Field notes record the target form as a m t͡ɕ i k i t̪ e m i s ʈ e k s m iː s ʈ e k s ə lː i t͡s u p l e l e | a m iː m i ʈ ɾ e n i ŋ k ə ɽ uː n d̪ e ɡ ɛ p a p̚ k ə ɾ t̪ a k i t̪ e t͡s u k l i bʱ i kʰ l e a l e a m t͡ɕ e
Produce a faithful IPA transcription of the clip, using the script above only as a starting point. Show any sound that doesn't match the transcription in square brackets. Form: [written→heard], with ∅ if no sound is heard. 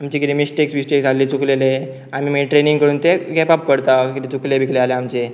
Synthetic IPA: a m t͡ɕ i k i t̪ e m i s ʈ e k s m [iː→i] s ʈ e k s [ə→a] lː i t͡s u [p→k] l e l e | a m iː m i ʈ ɾ e n i ŋ k ə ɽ uː n [d̪→t̪] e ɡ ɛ p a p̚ k ə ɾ t̪ a k i t̪ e t͡s u k l [i→e] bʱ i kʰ l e a l e a m t͡ɕ e